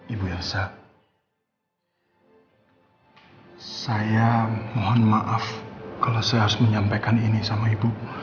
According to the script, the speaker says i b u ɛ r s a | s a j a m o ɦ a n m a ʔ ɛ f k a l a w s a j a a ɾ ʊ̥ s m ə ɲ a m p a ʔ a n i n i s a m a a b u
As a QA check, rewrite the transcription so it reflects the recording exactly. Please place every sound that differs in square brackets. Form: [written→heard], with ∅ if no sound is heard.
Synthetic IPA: i b u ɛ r s a | s a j a m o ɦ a n m a ʔ [ɛ→a] f k a l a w s a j a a ɾ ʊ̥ s m ə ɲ a m p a [ʔ→k] a n i n i s a m a [a→i] b u